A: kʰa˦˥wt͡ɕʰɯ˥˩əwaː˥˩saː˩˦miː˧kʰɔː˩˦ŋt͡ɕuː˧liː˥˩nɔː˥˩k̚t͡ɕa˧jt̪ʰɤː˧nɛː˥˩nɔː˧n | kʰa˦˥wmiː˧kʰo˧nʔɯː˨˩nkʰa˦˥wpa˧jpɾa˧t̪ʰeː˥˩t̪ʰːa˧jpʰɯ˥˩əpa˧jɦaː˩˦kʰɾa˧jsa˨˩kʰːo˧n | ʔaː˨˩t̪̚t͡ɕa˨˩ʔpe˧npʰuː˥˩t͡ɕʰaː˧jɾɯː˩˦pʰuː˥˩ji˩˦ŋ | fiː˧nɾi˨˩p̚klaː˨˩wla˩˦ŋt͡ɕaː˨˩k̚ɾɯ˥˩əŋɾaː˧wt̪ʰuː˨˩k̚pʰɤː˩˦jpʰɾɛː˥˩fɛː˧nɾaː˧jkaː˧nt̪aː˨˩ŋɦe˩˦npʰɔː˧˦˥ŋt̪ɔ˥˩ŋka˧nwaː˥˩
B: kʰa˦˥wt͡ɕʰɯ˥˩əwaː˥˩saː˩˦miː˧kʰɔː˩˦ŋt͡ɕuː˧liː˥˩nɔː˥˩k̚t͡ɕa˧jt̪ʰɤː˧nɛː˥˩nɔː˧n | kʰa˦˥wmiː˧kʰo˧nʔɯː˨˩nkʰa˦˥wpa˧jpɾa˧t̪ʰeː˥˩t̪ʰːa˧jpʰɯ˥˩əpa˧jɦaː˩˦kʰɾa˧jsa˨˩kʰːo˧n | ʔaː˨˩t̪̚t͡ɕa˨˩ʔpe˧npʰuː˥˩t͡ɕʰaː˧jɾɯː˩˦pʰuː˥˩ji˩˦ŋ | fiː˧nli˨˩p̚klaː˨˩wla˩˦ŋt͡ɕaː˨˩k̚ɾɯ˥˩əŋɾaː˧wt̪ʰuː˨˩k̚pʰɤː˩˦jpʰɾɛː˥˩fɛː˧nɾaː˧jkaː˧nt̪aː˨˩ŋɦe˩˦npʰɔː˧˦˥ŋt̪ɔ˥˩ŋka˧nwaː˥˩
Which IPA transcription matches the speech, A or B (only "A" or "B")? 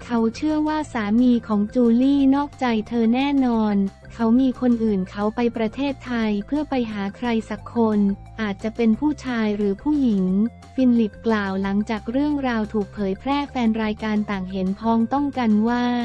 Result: B